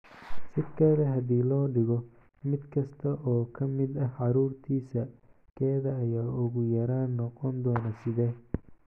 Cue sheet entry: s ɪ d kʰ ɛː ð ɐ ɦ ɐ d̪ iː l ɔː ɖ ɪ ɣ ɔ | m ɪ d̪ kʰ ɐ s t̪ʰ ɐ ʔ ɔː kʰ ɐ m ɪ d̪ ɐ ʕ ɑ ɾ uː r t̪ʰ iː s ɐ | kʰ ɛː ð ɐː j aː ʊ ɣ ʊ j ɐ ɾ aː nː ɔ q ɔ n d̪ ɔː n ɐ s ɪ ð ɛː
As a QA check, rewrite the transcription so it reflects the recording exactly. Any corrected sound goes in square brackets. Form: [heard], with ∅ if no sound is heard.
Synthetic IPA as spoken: s ɪ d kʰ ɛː ð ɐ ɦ ɐ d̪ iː l ɔː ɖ ɪ ɣ ɔ | m ɪ d̪ kʰ ɐ s t̪ʰ ɐ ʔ ɔː kʰ ɐ m ɪ d̪ ɐ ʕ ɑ ɾ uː r t̪ʰ iː s ɐ | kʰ ɛː ð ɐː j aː ʊ ɣ ʊ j ɐ ɾ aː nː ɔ q ɔ n d̪ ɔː n ɐ s ɪ ð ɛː